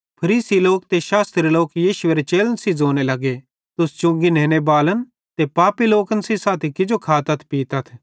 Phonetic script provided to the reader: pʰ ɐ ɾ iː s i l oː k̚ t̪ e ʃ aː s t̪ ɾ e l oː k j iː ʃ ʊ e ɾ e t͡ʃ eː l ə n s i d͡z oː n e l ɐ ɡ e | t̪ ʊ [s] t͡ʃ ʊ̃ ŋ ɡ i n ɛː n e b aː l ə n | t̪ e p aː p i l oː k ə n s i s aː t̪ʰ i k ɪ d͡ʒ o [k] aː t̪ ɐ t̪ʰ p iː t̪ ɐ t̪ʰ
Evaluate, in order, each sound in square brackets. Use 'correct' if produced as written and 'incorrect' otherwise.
correct, incorrect: kʰ

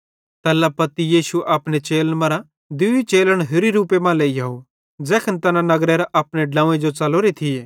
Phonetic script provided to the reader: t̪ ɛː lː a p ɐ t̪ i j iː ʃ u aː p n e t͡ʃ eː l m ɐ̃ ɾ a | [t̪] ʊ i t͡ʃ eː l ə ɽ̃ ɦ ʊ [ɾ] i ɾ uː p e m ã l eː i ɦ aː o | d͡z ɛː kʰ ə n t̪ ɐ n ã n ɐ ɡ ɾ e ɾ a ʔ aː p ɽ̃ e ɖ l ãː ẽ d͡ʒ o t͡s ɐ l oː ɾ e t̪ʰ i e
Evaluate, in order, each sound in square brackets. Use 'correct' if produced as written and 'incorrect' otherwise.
incorrect: d̪, correct

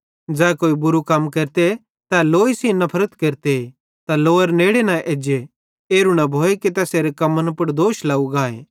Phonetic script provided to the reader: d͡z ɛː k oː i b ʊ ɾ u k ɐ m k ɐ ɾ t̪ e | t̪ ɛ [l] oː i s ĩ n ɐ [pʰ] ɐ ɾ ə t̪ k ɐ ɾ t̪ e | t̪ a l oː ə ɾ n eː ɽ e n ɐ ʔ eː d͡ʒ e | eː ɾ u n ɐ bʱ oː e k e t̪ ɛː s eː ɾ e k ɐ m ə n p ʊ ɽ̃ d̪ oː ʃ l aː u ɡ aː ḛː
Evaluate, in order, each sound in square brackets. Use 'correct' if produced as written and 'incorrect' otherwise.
correct, correct

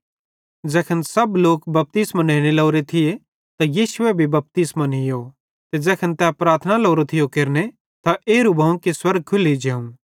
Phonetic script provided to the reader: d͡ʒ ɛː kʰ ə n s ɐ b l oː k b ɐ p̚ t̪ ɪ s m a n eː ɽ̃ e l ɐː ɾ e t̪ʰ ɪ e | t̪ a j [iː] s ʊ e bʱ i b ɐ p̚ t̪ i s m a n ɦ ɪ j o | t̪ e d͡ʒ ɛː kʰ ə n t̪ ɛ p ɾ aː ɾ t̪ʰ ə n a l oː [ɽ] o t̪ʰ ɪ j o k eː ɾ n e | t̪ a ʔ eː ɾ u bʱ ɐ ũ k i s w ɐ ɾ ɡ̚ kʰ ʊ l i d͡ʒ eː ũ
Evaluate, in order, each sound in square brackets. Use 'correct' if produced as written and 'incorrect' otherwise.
correct, incorrect: ɾ

